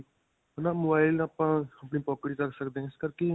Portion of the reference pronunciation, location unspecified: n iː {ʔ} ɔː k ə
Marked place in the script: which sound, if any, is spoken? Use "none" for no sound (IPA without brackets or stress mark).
p